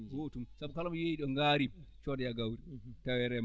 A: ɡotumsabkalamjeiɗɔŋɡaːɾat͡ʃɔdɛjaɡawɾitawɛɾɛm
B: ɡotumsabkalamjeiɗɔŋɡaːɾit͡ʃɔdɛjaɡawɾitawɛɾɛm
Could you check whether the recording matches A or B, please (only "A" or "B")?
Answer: B